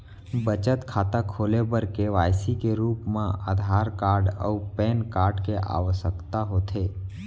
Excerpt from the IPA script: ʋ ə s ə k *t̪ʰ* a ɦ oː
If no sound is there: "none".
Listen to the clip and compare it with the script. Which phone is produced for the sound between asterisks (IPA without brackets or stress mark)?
t̪